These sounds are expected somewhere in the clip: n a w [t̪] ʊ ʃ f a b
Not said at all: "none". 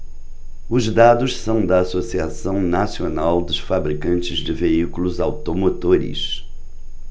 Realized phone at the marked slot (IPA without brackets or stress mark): d̪